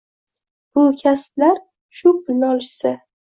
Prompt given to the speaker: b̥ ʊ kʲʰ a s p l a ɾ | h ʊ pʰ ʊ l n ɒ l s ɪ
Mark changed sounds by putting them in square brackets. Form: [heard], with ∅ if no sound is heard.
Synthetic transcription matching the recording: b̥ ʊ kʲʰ a s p l a ɾ | [ʃ] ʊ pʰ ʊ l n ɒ l s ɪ